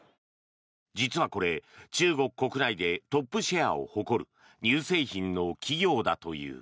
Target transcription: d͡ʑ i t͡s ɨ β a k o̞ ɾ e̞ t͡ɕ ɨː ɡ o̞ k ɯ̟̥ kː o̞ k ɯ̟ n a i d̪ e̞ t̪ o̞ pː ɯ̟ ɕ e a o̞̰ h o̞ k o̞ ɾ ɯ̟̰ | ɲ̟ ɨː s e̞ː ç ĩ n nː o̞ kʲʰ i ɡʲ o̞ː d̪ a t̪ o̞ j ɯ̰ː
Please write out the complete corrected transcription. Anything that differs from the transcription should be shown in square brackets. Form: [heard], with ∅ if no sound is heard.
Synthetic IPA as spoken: d͡ʑ i t͡s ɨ β a k o̞ ɾ e̞ t͡ɕ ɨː ɡ o̞ k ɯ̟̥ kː o̞ k ɯ̟ n a i d̪ e̞ t̪ o̞ pː ɯ̟ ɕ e a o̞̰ h o̞ k o̞ ɾ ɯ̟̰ | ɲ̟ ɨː s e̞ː ç ĩ n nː o̞ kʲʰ i ɡʲ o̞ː d̪ a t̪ o̞ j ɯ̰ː